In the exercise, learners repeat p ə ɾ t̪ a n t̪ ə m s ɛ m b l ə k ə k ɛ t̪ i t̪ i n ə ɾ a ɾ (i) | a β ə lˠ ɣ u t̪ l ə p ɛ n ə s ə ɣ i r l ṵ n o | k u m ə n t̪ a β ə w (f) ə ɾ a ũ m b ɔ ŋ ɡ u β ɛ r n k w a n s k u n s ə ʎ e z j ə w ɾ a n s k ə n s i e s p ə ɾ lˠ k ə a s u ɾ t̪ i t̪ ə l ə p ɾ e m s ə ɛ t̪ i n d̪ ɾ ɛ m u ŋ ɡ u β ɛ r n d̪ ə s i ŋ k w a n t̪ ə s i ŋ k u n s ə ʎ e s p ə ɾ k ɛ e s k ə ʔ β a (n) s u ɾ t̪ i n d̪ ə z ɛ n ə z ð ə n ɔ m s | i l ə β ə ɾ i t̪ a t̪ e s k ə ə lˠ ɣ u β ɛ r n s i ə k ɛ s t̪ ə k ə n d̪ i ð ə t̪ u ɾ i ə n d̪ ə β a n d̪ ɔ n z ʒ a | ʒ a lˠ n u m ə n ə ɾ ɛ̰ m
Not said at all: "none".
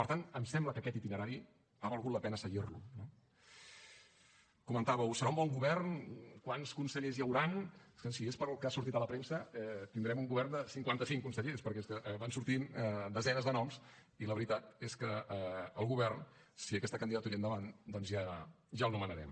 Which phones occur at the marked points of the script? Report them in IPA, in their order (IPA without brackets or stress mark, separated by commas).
i, s, n